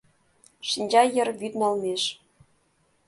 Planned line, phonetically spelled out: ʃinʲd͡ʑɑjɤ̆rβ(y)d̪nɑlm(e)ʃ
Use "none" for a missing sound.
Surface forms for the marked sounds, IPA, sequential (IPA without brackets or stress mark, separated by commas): y, e